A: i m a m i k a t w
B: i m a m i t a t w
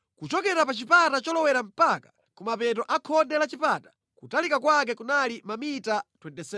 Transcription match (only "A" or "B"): B